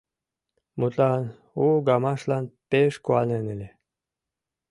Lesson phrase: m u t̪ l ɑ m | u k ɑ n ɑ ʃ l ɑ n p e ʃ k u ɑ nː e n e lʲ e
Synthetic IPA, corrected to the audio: m u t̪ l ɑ n | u ɡ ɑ m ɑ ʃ l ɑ n p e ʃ k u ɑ n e n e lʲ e